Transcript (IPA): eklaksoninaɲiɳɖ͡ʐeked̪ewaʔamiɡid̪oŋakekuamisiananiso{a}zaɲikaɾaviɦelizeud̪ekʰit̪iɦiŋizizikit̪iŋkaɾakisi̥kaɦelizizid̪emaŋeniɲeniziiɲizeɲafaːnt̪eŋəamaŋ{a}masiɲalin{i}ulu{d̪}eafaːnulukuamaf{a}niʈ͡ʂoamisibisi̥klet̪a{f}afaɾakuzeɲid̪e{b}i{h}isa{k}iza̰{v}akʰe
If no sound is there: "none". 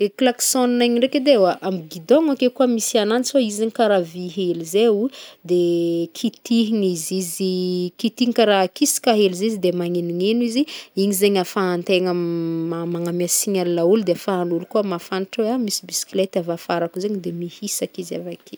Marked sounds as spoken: i, a, a, d̪, a, v, m, h, k, v

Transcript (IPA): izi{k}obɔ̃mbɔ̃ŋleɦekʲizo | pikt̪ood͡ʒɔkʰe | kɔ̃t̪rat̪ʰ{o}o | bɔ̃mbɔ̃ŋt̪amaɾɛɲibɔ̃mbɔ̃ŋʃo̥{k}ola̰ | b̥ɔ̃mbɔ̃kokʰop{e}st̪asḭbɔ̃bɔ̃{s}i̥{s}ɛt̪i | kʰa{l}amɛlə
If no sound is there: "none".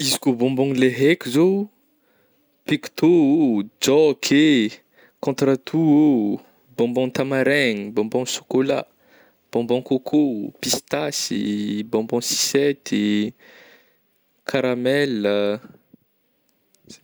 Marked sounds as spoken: k, u, k, i, s, s, ɾ

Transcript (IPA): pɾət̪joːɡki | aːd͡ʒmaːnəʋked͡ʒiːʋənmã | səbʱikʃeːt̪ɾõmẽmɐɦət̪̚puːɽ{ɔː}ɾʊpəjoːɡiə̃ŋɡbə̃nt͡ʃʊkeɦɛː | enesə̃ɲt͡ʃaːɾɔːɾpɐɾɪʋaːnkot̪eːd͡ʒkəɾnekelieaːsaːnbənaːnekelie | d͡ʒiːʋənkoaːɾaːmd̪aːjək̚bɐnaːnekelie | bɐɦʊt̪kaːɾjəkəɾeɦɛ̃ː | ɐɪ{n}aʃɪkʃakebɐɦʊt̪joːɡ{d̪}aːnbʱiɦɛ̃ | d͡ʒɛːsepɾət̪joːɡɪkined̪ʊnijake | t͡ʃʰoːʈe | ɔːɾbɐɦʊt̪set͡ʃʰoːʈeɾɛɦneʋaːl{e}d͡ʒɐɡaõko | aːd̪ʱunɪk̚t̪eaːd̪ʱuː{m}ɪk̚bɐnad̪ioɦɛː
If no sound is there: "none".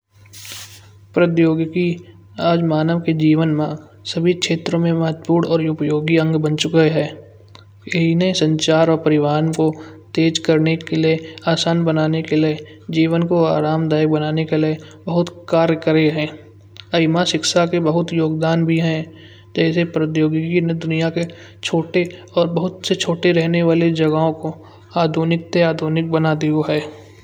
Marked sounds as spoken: ɔː, m, d̪, e, n

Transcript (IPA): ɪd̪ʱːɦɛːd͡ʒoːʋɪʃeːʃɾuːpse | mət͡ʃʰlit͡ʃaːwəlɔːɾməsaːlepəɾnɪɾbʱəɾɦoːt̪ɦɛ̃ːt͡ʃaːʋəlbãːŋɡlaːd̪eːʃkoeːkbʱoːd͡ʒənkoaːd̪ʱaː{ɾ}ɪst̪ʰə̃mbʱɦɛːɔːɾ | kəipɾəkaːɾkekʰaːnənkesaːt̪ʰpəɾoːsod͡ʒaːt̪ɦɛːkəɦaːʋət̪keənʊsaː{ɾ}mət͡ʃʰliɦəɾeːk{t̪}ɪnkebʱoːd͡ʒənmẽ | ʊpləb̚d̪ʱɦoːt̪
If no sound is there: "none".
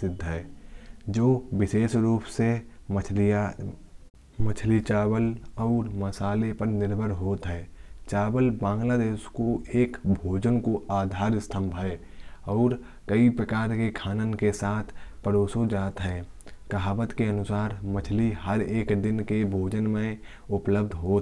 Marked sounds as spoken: ɾ, ɾ, d̪

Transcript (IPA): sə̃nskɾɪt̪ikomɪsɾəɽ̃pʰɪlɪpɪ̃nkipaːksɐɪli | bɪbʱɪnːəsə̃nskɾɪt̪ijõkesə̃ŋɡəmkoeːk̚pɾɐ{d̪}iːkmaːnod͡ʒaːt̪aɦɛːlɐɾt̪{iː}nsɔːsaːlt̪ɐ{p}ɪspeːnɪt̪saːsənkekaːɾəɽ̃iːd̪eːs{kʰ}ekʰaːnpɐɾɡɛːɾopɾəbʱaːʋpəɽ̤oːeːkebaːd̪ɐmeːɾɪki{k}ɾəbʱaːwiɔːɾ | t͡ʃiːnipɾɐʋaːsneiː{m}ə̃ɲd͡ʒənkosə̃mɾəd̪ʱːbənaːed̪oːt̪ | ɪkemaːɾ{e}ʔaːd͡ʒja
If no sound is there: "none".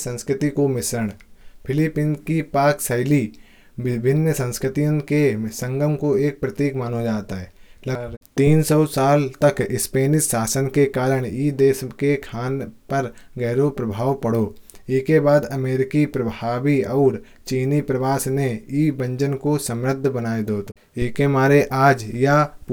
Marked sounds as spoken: t̪, iː, k, k, p, b, e

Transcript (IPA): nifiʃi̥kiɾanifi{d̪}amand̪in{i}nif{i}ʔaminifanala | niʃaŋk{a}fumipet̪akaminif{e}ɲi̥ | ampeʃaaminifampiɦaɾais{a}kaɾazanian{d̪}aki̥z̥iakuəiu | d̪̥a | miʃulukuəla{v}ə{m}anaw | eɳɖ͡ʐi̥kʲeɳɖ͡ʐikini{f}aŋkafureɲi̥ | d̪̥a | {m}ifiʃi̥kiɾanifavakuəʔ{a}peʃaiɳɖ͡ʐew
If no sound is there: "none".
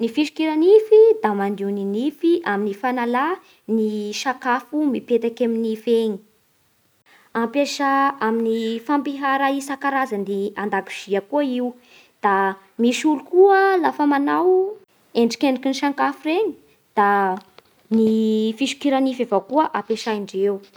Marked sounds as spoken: d̪, i, i, a, e, a, d̪, f, m, ʃ, n, a

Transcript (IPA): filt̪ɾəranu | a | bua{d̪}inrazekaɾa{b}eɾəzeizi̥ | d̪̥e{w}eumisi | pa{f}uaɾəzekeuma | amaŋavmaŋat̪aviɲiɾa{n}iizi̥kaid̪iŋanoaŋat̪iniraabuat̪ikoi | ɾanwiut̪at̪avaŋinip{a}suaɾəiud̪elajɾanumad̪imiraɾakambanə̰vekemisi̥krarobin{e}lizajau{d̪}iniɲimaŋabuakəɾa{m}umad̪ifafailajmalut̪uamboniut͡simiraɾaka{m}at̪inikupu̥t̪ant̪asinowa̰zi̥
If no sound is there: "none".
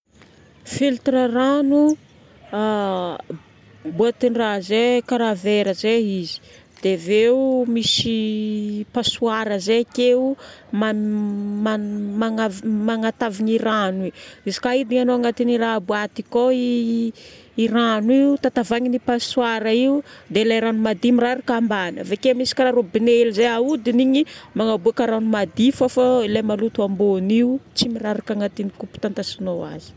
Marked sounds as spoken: t̪, v, v, s, n, a, e, d̪, n, ŋ

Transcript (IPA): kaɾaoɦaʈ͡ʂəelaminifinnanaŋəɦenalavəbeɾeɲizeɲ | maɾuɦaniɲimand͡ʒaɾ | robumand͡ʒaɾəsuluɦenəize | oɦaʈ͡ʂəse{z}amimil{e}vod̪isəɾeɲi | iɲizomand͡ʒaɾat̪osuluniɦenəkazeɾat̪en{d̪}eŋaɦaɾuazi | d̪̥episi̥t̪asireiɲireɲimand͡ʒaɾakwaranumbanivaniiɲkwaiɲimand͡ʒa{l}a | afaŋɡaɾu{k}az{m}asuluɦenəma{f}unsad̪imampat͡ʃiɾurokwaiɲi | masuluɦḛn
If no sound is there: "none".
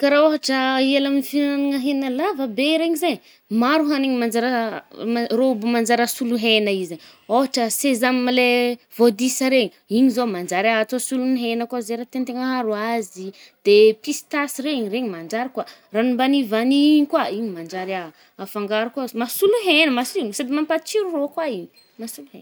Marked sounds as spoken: z, e, t̪, ɾ, k, m, s

